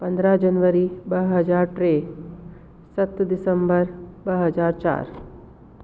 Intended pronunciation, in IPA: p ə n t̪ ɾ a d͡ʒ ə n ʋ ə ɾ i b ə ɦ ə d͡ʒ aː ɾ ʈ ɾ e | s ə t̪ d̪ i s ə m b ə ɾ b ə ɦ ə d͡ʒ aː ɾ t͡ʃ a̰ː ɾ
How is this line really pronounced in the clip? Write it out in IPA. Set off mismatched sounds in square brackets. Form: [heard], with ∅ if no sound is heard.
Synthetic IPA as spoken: p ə n [d̪] ɾ a d͡ʒ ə n ʋ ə ɾ i b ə ɦ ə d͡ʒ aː ɾ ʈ ɾ e | s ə t̪ d̪ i s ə m b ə ɾ b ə ɦ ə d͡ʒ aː ɾ t͡ʃ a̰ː ɾ